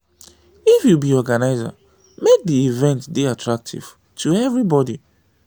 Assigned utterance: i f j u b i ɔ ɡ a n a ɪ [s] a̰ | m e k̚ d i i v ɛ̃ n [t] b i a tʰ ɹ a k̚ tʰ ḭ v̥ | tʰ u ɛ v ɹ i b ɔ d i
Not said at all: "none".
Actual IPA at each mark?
z, t

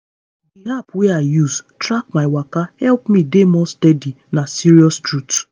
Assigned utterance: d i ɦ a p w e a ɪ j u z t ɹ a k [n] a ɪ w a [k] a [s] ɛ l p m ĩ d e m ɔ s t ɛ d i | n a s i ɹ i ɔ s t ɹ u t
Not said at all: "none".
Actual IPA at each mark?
m, k, h

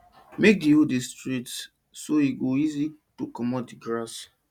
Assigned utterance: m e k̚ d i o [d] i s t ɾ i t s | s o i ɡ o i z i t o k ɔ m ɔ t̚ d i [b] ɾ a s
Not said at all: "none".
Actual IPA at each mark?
d, ɡ

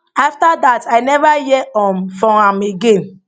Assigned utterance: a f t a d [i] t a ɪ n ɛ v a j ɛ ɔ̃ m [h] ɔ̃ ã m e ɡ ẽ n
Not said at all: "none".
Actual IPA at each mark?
a, f

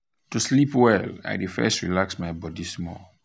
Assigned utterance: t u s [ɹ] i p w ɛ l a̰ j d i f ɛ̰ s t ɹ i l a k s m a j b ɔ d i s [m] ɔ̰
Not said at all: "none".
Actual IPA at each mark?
l, m

